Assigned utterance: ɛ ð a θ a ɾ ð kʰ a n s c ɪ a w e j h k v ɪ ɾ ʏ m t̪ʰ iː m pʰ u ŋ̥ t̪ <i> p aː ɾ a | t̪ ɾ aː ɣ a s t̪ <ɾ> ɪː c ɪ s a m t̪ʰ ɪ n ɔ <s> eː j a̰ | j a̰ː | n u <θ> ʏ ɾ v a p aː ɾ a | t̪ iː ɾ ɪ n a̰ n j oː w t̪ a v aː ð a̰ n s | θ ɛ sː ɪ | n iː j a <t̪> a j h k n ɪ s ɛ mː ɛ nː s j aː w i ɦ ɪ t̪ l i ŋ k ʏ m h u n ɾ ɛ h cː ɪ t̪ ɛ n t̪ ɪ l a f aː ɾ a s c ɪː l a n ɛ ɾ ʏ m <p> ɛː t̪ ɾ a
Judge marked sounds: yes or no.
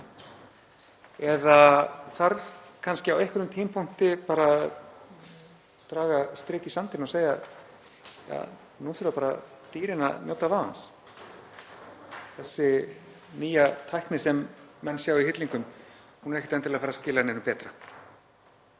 no, yes, yes, yes, no, yes

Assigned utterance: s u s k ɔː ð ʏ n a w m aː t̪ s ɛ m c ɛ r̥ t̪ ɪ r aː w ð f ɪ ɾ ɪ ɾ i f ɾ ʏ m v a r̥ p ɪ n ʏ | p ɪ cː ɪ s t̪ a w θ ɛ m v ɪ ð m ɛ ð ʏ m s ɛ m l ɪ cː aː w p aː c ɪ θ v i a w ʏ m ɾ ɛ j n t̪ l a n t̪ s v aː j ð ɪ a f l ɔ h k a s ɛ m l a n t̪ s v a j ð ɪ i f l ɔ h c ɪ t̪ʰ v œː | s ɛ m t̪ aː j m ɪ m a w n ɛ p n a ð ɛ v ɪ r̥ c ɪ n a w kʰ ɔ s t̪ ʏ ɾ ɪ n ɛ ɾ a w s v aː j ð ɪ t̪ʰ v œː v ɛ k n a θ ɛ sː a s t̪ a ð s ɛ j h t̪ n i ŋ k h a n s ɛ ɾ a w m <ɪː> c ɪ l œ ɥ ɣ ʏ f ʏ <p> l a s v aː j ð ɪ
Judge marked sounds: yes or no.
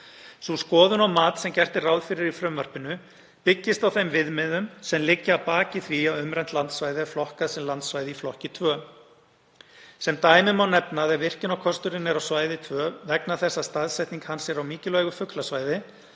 no, no

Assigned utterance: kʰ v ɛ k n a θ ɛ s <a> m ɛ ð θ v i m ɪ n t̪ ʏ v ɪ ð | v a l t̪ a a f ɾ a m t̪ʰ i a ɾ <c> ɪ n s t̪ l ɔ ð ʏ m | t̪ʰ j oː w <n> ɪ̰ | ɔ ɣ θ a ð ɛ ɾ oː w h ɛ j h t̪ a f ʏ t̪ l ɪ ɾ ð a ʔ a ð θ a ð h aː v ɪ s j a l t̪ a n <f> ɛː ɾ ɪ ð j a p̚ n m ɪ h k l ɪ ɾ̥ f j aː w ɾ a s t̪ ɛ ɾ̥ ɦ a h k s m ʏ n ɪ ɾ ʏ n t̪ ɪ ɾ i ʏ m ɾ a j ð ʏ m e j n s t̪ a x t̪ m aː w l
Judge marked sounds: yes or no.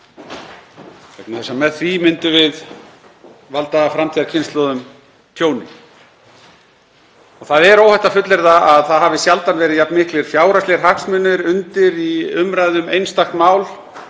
yes, no, yes, no

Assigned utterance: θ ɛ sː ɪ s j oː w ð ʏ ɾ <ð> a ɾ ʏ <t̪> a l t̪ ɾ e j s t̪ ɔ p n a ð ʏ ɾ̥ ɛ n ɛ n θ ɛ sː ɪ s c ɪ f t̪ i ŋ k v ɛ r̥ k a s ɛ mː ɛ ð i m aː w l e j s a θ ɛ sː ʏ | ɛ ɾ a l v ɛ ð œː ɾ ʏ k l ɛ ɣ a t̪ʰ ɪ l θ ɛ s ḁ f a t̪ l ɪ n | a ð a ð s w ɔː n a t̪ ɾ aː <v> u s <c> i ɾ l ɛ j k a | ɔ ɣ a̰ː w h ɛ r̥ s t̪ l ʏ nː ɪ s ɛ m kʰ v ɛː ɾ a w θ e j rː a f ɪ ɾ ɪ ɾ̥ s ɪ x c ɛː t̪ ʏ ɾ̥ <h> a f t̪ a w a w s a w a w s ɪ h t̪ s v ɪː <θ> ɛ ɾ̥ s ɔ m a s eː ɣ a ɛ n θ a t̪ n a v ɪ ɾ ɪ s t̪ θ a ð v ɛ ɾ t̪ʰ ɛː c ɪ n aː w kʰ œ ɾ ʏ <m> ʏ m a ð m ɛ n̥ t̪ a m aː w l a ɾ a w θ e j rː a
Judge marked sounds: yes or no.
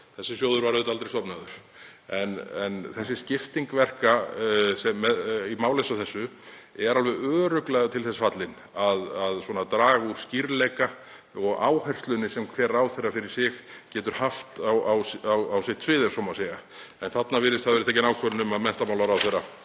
no, yes, no, yes, yes, no, no

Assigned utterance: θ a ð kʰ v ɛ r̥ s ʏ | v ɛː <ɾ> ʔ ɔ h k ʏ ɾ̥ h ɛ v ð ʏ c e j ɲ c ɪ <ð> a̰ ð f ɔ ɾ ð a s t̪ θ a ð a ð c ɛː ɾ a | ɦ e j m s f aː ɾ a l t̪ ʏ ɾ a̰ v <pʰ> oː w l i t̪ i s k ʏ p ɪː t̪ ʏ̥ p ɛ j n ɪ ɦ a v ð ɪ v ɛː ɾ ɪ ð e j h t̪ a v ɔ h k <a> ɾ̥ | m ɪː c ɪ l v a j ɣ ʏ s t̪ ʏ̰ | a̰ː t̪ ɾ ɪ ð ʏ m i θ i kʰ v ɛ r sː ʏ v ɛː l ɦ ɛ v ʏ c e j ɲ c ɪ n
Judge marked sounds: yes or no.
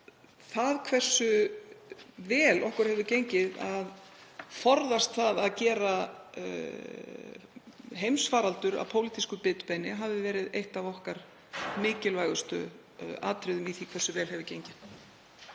no, yes, yes, yes

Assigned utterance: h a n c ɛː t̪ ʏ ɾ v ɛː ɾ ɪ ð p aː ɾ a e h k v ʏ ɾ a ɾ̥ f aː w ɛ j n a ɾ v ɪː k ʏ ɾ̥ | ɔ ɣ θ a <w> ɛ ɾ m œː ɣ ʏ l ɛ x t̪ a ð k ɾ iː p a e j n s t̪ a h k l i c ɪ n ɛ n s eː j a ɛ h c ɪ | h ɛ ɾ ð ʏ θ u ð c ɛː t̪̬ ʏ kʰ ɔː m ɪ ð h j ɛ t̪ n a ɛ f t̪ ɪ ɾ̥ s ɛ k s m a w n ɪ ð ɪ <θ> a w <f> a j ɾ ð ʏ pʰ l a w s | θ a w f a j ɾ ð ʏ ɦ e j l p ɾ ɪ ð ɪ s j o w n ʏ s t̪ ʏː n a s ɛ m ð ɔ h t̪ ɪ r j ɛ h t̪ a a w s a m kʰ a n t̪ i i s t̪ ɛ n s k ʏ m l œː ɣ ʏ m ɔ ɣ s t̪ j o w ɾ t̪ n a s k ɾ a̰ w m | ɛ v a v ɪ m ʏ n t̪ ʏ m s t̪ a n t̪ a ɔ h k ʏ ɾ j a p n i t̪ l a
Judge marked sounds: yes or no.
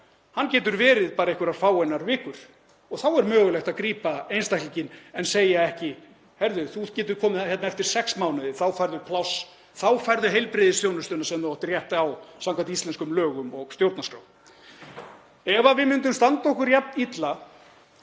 yes, yes, yes

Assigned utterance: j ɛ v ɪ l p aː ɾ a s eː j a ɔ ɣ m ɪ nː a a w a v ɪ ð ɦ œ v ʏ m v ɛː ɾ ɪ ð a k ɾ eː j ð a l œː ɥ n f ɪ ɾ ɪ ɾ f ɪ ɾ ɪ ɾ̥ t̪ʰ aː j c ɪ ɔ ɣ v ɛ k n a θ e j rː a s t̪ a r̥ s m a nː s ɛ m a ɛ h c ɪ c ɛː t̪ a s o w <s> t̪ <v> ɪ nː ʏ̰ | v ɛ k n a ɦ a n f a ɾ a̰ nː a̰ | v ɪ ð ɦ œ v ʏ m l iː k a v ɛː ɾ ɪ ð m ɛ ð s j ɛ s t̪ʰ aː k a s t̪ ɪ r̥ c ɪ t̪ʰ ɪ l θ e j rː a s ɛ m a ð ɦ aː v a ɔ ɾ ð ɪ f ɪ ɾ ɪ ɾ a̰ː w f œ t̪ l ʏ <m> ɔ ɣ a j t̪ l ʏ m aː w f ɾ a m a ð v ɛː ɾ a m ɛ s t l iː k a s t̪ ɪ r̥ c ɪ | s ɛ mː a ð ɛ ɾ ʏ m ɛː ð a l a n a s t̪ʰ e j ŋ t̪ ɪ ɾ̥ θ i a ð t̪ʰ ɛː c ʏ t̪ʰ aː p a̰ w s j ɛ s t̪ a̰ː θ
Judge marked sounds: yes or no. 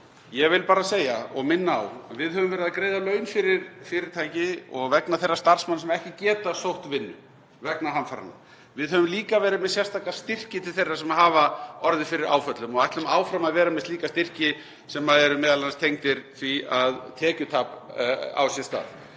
no, yes, yes

